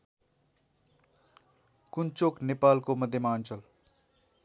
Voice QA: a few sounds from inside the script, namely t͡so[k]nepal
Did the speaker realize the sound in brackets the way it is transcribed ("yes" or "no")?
yes